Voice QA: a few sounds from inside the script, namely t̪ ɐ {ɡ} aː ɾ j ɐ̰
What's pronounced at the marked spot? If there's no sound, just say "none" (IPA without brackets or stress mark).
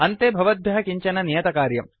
k